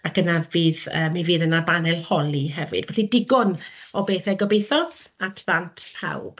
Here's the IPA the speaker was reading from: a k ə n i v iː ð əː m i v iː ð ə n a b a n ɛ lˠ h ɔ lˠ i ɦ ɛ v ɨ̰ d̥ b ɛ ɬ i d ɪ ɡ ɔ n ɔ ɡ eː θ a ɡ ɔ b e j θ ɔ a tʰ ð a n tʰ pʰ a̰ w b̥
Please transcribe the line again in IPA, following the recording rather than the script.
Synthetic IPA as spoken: a k ə n a v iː ð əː m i v iː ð ə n a b a n ɛ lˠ h ɔ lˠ i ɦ ɛ v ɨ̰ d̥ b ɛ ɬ i d ɪ ɡ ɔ n ɔ b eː θ ɛ ɡ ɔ b e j θ ɔ a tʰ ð a n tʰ pʰ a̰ w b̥